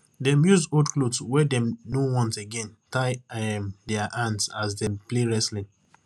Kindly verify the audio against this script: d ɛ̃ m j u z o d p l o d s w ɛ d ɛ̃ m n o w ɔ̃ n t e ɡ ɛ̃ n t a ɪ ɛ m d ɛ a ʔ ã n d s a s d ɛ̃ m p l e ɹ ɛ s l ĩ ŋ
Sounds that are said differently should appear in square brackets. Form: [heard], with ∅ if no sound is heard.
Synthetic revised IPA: d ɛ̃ m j u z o d [k] l o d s w ɛ d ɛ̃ m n o w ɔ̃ n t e ɡ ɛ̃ n t a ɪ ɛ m d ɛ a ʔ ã n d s a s d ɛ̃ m p l e ɹ ɛ s l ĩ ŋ